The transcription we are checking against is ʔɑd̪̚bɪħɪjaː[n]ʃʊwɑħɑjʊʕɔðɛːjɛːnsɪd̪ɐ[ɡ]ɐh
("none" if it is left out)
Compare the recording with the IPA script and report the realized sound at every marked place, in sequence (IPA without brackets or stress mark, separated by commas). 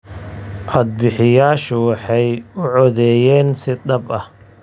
none, b